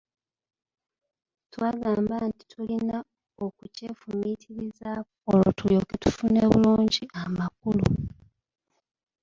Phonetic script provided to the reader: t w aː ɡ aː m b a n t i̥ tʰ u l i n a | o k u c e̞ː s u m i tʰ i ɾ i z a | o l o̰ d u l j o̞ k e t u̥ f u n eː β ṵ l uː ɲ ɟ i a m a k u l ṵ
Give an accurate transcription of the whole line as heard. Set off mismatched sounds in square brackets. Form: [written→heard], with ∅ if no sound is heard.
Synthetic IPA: t w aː ɡ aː m b a n t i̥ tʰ u l i n a | o k u c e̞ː [s→f] u m i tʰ i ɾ i z a | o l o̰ [d→t] u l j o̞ k e t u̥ f u n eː β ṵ l uː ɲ ɟ i a m a k u l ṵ